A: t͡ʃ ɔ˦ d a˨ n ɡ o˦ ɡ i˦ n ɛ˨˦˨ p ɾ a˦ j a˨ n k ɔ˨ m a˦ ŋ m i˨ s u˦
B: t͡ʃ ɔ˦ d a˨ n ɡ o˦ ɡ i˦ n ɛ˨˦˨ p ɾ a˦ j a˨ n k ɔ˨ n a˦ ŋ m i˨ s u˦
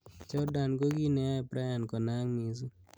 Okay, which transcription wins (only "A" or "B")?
B